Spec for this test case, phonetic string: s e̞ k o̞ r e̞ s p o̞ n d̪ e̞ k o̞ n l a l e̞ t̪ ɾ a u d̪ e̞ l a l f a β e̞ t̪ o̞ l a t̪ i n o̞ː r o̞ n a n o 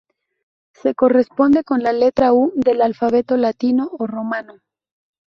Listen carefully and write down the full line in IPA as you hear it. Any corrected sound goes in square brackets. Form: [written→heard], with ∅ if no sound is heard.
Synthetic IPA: s e̞ k o̞ r e̞ s p o̞ n d̪ e̞ k o̞ n l a l e̞ t̪ ɾ a u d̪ e̞ l a l f a β e̞ t̪ o̞ l a t̪ i n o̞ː r o̞ [n→m] a n o

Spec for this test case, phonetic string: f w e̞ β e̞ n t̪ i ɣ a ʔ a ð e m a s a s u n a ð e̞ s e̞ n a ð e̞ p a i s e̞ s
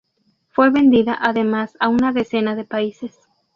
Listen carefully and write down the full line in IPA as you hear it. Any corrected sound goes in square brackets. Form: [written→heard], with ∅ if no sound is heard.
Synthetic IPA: f w e̞ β e̞ n [t̪→d̪] i [ɣ→ð] a ʔ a ð e m a s a [s→∅] u n a ð e̞ s e̞ n a ð e̞ p a i s e̞ s

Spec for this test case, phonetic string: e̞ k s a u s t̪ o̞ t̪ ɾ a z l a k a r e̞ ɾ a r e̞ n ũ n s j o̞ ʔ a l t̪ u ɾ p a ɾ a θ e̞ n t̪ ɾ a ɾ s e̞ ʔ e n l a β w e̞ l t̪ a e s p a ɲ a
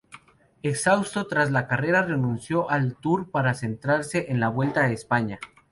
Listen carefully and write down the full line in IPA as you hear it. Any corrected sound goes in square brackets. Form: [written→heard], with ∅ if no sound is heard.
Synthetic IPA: e̞ k s a [u→w] s t̪ o̞ t̪ ɾ a z l a k a r e̞ ɾ a r e̞ n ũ n s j o̞ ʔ a l t̪ u ɾ p a ɾ a [θ→s] e̞ n t̪ ɾ a ɾ s e̞ ʔ e n l a β w e̞ l t̪ a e s p a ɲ a

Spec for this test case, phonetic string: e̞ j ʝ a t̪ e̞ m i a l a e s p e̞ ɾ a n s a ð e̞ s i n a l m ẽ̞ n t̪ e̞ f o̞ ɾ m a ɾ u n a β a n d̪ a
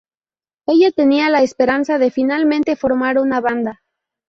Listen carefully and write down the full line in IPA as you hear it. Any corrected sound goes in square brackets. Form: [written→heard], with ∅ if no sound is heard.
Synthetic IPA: e̞ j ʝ a t̪ e̞ [m→n] i a l a e s p e̞ ɾ a n s a ð e̞ [s→f] i n a l m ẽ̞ n t̪ e̞ f o̞ ɾ m a ɾ u n a β a n d̪ a

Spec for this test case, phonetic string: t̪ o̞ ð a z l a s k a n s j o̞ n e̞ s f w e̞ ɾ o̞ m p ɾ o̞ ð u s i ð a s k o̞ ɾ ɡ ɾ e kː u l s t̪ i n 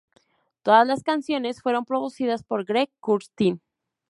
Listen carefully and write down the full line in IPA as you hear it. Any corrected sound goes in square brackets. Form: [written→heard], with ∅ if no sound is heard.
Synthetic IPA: t̪ o̞ ð a z l a s k a n s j o̞ n e̞ s f w e̞ ɾ o̞ m p ɾ o̞ ð u s i ð a s [k→p] o̞ ɾ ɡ ɾ e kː u [l→ɾ] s t̪ i n

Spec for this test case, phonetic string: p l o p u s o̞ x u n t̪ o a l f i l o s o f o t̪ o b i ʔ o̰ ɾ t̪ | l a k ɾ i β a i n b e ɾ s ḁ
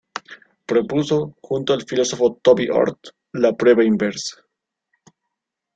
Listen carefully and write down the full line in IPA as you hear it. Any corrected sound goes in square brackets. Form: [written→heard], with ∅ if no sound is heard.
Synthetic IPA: p [l→ɾ] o p u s o̞ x u n t̪ o a l f i l o s o f o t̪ o b i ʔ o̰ ɾ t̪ | l a [k→p] ɾ [i→e] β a i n b e ɾ s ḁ

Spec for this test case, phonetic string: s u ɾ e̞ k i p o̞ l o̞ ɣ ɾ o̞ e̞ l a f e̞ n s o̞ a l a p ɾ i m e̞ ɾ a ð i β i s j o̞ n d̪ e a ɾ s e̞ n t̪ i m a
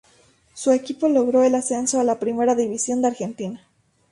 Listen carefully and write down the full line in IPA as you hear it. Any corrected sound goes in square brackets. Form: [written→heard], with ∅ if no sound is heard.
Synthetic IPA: s u [ɾ→∅] e̞ k i p o̞ l o̞ ɣ ɾ o̞ e̞ l a [f→s] e̞ n s o̞ a l a p ɾ i m e̞ ɾ a ð i β i s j o̞ n d̪ e a ɾ [s→x] e̞ n t̪ i [m→n] a

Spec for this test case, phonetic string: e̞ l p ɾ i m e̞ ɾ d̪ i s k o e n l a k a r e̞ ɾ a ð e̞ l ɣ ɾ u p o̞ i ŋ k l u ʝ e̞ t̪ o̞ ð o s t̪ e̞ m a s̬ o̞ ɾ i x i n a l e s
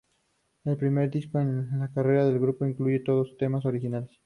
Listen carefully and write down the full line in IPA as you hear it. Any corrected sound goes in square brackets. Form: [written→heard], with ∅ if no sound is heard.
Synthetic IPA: e̞ l p ɾ i m e̞ ɾ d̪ i s k o e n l a k a r e̞ ɾ a ð e̞ l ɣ ɾ u p o̞ i ŋ k l u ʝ e̞ t̪ o̞ ð o s t̪ e̞ m a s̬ o̞ ɾ i x i n a l e s

